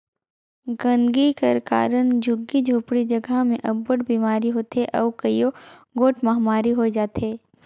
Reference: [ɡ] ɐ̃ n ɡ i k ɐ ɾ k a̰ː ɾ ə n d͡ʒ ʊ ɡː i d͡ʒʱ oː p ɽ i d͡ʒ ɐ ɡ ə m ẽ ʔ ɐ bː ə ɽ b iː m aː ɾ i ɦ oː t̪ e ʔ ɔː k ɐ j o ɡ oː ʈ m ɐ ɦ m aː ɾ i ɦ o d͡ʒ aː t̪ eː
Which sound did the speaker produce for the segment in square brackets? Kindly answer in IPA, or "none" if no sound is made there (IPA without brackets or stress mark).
ɡ